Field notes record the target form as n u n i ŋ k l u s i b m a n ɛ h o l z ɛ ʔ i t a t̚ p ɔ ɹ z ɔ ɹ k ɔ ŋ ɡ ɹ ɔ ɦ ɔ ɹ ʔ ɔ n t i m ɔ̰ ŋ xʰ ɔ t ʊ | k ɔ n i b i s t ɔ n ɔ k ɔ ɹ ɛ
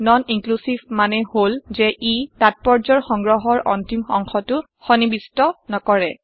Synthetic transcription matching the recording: n ɔ n i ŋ k l u s i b m a n ɛ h o l z ɛ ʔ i t a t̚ p ɔ ɹ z ɔ ɹ x ɔ ŋ ɡ ɹ ɔ ɦ ɔ ɹ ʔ ɔ n t i m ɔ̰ ŋ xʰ ɔ t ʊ | x ɔ n i b i s t ɔ n ɔ k ɔ ɹ ɛ

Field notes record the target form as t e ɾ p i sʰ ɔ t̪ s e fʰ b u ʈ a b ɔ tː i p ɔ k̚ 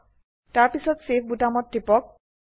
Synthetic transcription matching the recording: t a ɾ p i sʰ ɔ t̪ s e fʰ b u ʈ a m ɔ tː i p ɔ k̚

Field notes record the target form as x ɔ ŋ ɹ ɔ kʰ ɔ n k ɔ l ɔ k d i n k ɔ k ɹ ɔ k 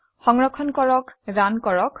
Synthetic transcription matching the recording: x ɔ ŋ ɹ ɔ kʰ ɔ n k ɔ ɹ ɔ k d a n k ɔ ɹ ɔ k

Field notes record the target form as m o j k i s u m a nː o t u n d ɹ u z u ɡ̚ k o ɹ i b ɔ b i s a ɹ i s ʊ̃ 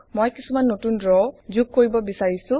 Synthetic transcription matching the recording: m o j k i s u m a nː o t u n d ɹ ɔ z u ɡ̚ k o ɹ i b ɔ b i s a ɹ i s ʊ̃

